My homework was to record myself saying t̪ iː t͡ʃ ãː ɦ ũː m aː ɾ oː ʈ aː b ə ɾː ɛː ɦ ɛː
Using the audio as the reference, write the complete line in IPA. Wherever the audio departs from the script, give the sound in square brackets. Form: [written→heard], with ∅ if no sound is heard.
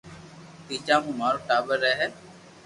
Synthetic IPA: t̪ iː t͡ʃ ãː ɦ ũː m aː ɾ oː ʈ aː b ə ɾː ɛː ɦ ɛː